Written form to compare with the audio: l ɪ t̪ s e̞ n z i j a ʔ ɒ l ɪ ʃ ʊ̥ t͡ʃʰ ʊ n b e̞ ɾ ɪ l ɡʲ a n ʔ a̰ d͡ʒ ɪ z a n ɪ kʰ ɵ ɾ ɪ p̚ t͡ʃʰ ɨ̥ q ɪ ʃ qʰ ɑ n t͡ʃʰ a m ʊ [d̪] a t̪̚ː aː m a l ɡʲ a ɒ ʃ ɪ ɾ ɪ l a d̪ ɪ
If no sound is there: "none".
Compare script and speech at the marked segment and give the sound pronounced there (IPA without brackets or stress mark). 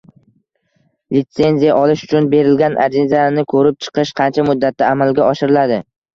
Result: d̪ː